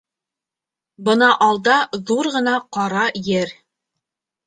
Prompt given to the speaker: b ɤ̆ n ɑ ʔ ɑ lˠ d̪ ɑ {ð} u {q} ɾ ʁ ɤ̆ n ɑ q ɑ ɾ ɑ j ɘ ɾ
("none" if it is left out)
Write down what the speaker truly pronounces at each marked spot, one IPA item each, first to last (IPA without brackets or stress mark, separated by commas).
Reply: ð, none